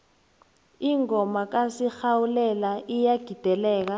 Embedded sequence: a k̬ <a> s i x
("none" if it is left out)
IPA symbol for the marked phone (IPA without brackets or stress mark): a